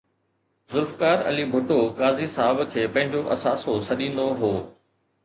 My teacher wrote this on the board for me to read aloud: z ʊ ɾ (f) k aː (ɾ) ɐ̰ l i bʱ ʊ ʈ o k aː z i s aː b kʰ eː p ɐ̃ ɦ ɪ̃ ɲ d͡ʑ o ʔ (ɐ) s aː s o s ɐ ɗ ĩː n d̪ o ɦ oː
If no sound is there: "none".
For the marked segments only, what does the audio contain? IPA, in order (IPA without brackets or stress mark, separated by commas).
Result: f, ɾ, ɐ